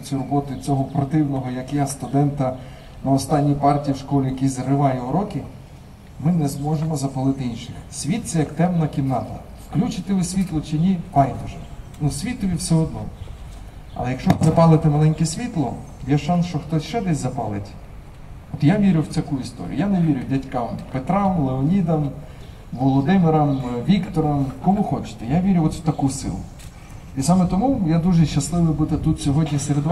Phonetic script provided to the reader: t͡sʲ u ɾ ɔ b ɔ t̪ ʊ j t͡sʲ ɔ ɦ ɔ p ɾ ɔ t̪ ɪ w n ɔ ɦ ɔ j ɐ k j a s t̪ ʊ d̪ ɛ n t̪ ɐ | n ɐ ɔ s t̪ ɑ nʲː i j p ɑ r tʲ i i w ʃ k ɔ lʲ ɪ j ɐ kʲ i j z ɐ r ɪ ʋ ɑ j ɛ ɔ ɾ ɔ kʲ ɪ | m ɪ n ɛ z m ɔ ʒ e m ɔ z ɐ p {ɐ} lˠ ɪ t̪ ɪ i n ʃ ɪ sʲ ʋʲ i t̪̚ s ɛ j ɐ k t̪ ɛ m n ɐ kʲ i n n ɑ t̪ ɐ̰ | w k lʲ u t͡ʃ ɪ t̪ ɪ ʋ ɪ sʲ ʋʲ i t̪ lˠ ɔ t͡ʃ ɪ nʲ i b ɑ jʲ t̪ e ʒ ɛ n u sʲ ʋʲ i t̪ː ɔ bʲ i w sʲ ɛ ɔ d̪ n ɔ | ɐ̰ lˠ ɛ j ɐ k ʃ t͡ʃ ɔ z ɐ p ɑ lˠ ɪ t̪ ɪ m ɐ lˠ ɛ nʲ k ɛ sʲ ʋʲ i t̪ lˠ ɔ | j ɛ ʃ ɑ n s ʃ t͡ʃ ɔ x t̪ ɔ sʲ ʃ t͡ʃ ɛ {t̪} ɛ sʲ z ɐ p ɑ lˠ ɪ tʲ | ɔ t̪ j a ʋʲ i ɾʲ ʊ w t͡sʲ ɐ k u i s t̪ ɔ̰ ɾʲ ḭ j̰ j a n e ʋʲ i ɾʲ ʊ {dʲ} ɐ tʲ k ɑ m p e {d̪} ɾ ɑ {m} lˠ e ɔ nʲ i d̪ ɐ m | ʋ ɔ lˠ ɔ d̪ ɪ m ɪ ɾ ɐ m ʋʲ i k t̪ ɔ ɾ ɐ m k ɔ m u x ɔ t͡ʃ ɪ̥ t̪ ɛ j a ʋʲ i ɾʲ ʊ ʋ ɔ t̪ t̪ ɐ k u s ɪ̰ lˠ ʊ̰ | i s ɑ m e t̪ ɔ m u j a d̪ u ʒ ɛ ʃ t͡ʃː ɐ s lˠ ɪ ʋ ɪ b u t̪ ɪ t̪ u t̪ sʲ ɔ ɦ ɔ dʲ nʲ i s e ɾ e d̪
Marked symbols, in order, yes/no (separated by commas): yes, no, yes, no, yes